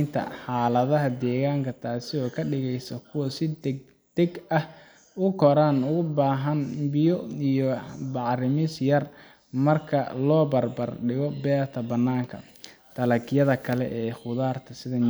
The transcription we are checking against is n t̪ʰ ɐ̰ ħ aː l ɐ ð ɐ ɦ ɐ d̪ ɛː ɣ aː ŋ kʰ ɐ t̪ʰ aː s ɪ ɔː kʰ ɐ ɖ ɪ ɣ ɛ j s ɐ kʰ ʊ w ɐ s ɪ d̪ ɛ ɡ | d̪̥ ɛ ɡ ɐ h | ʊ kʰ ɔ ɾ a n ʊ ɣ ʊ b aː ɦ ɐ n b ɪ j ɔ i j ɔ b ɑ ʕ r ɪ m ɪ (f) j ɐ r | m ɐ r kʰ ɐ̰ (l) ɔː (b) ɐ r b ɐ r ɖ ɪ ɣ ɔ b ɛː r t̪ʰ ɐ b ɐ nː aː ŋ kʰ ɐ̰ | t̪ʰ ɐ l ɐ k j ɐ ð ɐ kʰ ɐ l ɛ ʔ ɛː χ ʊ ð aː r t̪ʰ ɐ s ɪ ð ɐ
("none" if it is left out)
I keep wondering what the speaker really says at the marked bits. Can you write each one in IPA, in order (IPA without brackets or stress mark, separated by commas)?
s, l, b